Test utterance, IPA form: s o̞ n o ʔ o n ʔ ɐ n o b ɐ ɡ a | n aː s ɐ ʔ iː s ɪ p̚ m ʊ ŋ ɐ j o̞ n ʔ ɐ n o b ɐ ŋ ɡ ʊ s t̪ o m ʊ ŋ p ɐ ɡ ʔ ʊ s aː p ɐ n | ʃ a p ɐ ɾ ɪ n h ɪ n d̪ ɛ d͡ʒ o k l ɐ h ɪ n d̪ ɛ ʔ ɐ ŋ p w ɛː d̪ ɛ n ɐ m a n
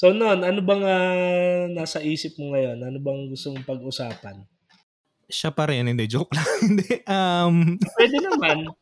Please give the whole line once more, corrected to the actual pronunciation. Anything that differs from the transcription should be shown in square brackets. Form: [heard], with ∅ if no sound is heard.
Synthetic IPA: s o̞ n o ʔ o n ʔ ɐ n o b ɐ [ŋ] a | n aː s ɐ ʔ iː s ɪ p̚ m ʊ ŋ ɐ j o̞ n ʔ ɐ n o b ɐ ŋ ɡ ʊ s t̪ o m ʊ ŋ p ɐ ɡ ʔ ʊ s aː p ɐ n | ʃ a p ɐ ɾ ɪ n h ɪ n d̪ ɛ d͡ʒ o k l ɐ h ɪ n d̪ ɛ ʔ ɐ [m] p w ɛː d̪ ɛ n ɐ m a n